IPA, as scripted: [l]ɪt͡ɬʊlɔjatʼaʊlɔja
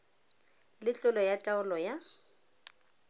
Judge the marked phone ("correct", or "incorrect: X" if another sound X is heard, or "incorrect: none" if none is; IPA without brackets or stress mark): correct